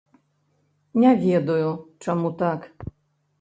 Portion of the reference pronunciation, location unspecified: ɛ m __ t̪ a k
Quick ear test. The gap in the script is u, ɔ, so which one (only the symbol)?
u